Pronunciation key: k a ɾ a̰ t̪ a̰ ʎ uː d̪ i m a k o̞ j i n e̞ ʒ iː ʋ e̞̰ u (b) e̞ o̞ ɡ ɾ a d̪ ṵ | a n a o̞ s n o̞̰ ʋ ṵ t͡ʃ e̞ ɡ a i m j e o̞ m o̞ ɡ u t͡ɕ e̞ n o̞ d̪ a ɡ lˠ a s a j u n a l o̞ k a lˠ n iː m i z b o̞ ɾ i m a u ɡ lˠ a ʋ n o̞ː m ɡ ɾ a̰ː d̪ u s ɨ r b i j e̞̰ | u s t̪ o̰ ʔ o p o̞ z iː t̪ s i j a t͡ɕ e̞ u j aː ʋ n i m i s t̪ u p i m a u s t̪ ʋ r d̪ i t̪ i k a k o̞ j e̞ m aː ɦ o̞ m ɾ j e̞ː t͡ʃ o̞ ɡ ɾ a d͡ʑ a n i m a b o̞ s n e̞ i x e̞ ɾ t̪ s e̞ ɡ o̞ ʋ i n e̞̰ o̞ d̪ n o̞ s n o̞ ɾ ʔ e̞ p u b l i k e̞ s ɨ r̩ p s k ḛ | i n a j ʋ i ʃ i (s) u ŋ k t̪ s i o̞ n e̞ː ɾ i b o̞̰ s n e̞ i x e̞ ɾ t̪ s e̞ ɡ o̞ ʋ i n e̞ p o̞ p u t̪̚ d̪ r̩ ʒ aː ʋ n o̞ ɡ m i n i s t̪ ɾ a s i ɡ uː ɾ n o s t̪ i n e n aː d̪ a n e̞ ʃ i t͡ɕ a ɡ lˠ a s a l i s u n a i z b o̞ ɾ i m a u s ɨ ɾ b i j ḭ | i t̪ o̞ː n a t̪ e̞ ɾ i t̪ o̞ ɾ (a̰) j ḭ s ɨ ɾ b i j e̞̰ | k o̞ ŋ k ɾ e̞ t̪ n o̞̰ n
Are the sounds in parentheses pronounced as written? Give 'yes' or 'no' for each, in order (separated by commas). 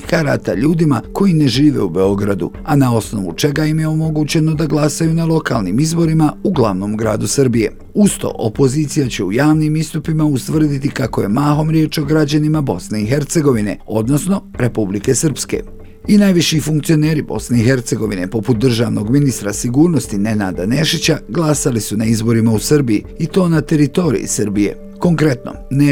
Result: yes, no, no